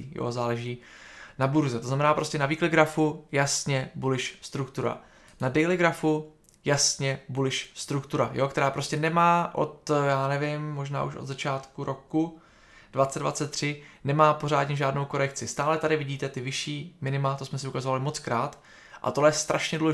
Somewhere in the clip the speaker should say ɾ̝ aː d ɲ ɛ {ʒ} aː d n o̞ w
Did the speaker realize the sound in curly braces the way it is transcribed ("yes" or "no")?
yes